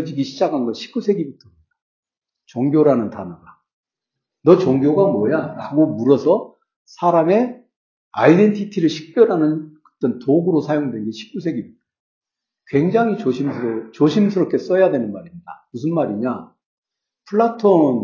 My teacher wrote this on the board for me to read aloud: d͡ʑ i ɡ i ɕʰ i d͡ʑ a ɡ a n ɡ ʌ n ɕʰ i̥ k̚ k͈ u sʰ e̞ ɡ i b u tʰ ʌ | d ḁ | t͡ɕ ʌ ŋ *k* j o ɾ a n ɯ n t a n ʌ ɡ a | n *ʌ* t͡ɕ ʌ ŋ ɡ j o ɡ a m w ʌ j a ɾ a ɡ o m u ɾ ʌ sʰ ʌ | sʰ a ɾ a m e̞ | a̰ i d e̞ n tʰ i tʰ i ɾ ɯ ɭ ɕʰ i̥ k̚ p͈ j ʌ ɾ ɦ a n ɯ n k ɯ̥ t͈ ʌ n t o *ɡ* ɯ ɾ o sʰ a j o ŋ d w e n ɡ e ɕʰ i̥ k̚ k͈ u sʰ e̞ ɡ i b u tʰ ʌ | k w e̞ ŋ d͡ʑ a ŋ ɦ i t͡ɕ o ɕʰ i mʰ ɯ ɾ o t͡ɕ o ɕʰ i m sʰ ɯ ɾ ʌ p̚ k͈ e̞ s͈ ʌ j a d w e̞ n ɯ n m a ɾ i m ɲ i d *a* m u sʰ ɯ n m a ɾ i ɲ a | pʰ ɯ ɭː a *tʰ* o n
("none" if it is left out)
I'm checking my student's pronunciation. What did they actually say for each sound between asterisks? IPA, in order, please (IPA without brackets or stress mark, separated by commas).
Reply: ɡ, ʌ, ɡ, a, tʰ